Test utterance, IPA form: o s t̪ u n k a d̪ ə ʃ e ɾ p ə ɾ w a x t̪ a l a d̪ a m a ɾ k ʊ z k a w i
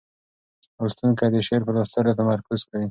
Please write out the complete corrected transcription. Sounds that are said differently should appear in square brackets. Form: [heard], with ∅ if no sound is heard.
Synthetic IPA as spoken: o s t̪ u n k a d̪ ə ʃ e ɾ p ə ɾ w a [s] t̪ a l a [t̪] a m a ɾ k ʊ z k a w i